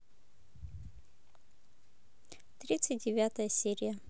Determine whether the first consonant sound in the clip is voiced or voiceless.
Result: voiceless